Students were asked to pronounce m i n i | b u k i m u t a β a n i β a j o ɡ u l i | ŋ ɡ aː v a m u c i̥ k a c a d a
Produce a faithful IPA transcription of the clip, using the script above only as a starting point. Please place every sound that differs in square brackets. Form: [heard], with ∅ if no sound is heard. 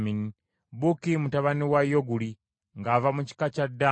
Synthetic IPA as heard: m i n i | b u k i m u t a β a n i [w] a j o ɡ u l i | ŋ ɡ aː v a m u c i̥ k a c a d a